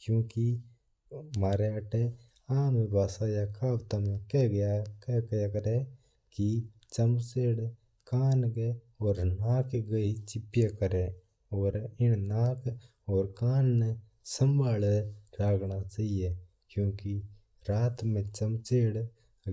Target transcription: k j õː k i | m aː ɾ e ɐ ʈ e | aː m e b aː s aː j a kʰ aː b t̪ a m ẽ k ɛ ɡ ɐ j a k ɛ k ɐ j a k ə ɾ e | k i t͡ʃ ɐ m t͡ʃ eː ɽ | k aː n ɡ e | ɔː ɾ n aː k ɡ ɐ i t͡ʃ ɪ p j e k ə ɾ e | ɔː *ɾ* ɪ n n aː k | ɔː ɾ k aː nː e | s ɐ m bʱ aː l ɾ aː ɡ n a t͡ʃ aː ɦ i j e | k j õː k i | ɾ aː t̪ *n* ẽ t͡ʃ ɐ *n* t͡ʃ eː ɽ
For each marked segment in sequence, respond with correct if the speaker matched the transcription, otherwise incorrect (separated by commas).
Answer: correct, incorrect, incorrect